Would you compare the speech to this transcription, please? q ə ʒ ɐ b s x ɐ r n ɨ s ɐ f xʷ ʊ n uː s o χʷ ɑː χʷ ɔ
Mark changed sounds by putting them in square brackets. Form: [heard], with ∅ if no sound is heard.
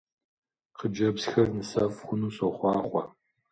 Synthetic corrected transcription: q ə [d͡ʒ] ɐ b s x ɐ r n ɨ s ɐ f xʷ ʊ n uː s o χʷ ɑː χʷ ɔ